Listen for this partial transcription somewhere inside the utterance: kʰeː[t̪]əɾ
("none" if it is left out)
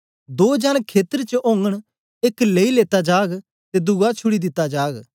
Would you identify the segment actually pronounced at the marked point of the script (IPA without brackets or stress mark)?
t̪